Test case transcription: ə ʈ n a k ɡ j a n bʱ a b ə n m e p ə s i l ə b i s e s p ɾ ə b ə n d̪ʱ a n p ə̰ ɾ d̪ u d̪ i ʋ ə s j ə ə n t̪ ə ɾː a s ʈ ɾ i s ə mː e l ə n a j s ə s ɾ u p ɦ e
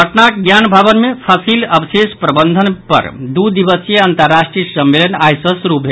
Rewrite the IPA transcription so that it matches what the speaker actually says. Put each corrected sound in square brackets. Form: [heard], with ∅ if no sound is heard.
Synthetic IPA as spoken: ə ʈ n a k ɡ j a n bʱ a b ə n m e [pʰ] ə s i l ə b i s e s p ɾ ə b ə n d̪ʱ [ə] n p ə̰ ɾ d̪ u d̪ i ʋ ə s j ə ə n t̪ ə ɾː a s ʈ ɾ i s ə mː e l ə n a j s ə s ɾ u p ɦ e